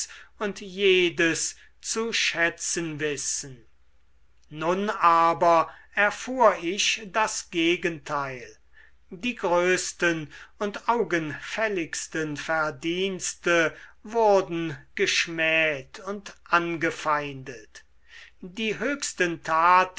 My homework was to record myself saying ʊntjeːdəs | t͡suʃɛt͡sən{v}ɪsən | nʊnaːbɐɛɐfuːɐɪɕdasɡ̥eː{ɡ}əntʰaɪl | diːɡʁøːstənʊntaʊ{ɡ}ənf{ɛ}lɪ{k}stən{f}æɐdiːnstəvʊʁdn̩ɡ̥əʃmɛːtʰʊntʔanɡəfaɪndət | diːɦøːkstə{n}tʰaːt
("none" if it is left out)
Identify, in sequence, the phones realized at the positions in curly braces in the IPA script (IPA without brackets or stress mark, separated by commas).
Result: v, ɡ, ɡ, ɛ, k, f, n